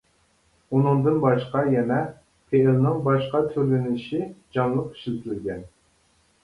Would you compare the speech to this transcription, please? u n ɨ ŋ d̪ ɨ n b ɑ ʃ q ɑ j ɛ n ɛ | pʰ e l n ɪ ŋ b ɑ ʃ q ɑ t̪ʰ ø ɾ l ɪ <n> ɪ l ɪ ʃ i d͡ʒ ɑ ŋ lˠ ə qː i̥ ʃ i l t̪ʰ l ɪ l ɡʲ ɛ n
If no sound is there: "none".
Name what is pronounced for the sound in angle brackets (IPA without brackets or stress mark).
n